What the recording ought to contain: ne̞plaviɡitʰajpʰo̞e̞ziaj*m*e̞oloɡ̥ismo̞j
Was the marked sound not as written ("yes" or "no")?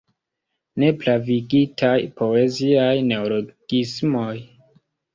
yes